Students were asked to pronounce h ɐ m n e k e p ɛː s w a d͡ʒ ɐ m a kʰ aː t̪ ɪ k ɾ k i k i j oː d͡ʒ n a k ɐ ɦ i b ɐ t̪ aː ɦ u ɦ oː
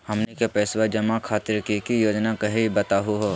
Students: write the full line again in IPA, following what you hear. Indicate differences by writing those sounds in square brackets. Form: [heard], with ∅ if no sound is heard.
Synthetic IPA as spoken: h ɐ m n e k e p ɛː s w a d͡ʒ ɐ m a kʰ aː t̪ ɪ [∅] ɾ k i k i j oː d͡ʒ n a k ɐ ɦ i b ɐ t̪ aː ɦ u ɦ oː